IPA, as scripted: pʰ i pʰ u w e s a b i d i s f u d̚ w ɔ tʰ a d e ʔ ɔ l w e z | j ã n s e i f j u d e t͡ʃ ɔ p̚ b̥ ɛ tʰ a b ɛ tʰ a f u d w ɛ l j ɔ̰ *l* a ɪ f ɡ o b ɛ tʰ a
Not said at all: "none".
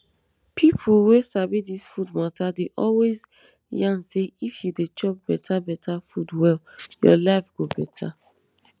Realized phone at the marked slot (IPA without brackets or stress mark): l